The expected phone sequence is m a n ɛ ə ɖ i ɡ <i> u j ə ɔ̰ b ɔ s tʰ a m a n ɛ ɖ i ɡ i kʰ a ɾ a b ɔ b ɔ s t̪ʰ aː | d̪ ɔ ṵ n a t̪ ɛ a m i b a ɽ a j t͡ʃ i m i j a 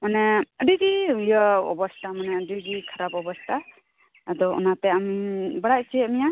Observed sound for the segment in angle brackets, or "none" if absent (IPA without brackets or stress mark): i